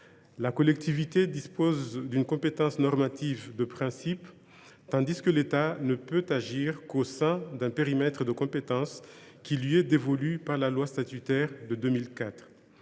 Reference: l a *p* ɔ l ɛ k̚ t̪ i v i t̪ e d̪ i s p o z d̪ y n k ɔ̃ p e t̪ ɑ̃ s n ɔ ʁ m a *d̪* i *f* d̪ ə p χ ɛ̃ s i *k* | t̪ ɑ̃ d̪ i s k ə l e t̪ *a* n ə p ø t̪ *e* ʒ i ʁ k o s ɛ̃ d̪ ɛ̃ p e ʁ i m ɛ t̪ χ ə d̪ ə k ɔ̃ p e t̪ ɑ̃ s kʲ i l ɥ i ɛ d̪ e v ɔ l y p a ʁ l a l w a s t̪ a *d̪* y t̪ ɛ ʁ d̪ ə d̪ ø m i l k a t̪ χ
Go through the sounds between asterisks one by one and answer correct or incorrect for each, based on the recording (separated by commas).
incorrect, incorrect, incorrect, incorrect, correct, incorrect, incorrect